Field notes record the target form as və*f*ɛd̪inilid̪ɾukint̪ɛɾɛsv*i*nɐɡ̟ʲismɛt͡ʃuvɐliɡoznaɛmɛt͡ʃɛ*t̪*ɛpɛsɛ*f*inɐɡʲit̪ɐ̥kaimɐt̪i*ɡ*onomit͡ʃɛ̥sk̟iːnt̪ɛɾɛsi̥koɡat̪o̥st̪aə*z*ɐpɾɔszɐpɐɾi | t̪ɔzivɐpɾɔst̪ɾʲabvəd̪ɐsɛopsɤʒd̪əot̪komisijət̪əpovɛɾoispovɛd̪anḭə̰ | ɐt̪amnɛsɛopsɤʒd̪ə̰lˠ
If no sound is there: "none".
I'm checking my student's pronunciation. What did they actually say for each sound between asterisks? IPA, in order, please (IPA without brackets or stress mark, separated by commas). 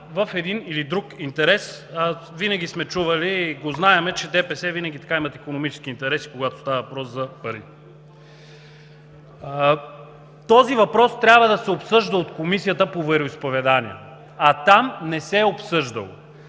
f, i, d̪, v, k, v